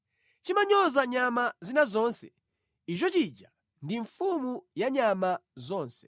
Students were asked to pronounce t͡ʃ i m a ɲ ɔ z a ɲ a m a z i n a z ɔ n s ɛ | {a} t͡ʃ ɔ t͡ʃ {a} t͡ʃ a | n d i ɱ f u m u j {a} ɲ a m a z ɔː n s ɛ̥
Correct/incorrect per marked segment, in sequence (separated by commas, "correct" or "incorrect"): incorrect, incorrect, correct